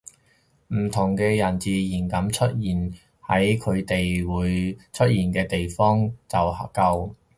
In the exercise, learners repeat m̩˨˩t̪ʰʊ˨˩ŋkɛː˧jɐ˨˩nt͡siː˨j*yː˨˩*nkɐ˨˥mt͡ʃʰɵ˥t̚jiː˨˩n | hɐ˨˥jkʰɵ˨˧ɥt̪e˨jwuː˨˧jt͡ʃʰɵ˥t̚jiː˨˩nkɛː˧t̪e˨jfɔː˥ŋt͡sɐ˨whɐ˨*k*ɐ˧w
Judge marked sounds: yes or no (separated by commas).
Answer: no, yes